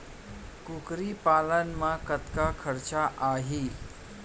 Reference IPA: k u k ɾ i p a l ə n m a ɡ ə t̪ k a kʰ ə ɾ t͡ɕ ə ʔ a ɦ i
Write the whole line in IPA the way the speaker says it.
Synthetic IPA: k u k ɾ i p a l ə n m a k ə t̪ k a kʰ ə ɾ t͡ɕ a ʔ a ɦ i

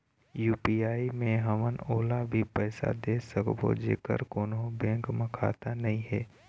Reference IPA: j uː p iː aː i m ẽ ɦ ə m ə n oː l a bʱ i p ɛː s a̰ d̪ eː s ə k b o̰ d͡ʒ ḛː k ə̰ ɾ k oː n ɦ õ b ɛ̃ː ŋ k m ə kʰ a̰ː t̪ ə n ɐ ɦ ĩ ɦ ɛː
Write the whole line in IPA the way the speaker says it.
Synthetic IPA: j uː p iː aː i m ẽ ɦ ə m ə n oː l a bʱ i p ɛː s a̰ d̪ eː s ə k b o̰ d͡ʒ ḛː k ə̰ ɾ k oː n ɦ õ b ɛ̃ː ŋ k m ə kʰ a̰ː t̪ a n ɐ ɦ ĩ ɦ ɛː

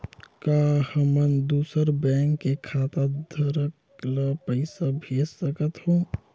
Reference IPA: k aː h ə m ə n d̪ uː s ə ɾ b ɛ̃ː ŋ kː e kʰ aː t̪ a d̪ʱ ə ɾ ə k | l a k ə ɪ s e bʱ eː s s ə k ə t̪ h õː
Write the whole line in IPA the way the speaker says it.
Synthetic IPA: k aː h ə m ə n d̪ uː s ə ɾ b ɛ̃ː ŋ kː e kʰ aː t̪ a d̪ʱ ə ɾ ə k | l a p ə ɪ s a bʱ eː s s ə k ə t̪ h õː

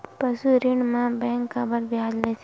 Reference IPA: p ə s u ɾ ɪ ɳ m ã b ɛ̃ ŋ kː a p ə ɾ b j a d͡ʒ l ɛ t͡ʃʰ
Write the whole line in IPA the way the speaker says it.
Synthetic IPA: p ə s u ɾ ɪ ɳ m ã b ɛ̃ ŋ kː a b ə ɾ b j a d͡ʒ l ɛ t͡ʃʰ

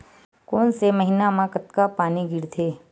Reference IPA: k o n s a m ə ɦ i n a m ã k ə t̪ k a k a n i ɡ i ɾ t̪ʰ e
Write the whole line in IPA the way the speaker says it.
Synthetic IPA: k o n s e m ə ɦ i n a m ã k ə t̪ k a p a n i ɡ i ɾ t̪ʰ e

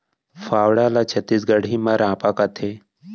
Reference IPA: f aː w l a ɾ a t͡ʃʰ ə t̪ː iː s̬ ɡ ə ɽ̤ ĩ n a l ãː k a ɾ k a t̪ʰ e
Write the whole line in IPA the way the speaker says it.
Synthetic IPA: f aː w ɽ a l a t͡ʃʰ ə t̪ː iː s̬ ɡ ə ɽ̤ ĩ m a ɾ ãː p a k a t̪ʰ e

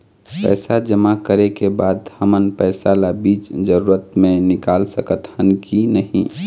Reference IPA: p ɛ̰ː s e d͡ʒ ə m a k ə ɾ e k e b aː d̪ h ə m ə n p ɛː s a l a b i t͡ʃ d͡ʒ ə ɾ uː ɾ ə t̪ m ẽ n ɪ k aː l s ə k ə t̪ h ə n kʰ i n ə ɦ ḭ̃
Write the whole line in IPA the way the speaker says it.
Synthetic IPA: p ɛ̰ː s a d͡ʒ ə m a k ə ɾ e k e b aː d̪ h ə m ə n p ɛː s a l a b iː t͡ʃ d͡ʒ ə ɾ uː ɾ ə t̪ m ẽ n ɪ k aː l s ə k ə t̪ h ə n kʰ i n ə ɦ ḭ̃

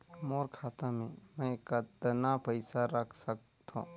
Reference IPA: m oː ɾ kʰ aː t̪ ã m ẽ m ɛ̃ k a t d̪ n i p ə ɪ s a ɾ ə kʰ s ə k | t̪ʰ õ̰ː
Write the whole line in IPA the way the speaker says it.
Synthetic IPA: m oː ɾ kʰ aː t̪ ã m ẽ m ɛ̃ k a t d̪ n a p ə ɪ s a ɾ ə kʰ s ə k | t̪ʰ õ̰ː

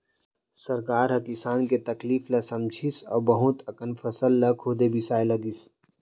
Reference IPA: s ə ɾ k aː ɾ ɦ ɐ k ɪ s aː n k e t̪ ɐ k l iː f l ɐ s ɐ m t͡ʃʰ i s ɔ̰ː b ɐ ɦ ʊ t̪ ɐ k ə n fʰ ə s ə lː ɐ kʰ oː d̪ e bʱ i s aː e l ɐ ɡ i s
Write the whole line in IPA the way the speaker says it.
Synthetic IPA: s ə ɾ k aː ɾ ɦ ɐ k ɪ s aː n k e t̪ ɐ k l iː f l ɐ s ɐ m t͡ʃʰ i s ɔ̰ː b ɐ ɦ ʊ t̪ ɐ k ə n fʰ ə s ə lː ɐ kʰ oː d̪ e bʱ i s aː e l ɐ ɡ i s

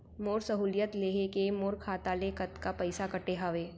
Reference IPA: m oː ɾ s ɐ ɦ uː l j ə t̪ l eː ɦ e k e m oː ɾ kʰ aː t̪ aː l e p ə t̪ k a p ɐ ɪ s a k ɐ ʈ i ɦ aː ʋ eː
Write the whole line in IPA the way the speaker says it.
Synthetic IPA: m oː ɾ s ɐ ɦ uː l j ə t̪ l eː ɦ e k e m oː ɾ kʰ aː t̪ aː l e k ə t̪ k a p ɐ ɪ s a k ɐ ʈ e ɦ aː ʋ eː

